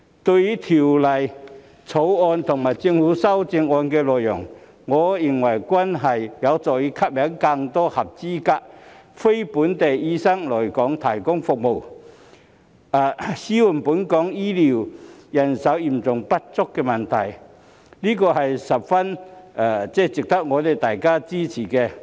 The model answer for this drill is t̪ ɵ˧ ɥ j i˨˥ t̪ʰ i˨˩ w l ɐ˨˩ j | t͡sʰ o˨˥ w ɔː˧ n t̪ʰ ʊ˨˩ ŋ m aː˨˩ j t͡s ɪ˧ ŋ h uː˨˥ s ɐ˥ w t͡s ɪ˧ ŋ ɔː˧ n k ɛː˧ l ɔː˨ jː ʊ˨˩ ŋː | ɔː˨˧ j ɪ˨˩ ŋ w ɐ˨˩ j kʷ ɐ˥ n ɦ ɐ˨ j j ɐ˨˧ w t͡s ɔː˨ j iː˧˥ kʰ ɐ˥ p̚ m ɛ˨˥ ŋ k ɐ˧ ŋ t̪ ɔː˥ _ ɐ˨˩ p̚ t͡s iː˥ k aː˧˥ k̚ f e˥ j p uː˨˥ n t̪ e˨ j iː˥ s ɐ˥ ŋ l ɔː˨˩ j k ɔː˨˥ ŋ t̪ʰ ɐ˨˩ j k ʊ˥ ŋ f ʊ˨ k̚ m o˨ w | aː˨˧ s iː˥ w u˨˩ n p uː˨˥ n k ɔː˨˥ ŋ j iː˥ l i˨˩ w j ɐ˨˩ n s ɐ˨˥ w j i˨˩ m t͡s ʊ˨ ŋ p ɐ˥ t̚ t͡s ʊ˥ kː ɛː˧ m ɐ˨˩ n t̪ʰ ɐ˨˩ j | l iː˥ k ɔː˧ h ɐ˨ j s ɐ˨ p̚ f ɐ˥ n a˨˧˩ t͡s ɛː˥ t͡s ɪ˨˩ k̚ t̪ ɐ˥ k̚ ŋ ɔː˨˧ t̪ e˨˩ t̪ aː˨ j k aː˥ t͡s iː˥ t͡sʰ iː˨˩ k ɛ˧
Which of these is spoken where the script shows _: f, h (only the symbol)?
h